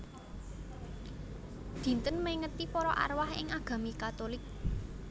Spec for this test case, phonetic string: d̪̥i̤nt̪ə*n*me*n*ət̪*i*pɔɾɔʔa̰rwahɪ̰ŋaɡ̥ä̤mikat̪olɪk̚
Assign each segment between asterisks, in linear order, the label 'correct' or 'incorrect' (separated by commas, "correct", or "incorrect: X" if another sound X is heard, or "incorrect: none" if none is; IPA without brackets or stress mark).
correct, incorrect: ŋ, correct